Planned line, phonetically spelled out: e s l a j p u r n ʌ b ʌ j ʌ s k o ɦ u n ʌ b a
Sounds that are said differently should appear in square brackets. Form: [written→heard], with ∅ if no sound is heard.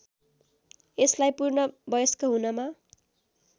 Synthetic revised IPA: e s l a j p u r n ʌ b ʌ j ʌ s k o ɦ u n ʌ [b→m] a